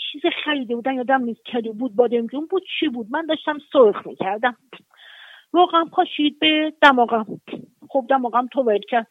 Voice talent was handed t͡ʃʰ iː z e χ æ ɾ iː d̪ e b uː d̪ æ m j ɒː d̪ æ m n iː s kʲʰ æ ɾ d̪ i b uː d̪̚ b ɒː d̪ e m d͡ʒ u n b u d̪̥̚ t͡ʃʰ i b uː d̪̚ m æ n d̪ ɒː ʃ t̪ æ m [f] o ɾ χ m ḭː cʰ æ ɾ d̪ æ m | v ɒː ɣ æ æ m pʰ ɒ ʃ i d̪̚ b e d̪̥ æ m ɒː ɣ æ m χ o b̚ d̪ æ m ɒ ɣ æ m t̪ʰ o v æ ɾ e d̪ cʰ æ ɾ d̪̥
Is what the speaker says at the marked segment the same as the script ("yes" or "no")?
no